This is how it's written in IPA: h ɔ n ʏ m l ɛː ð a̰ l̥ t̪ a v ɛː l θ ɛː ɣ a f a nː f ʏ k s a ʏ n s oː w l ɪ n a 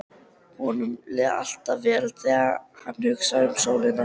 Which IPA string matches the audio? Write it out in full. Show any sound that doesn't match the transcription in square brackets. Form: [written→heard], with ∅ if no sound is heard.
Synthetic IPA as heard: h ɔ n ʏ m l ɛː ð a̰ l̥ t̪ a v ɛː l θ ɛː ɣ a [f→h] a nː [f→h] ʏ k s a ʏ [n→m] s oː w l ɪ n a